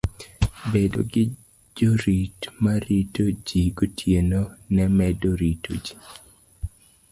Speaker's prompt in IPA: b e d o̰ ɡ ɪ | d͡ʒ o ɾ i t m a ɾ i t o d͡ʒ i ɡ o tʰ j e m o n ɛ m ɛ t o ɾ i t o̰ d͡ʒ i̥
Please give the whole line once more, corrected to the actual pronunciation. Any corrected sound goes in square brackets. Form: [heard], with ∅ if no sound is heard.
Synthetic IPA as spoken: b e d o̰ ɡ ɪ | d͡ʒ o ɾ i t m a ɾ i t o d͡ʒ i ɡ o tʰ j e [n] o n ɛ m ɛ [d] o ɾ i t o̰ d͡ʒ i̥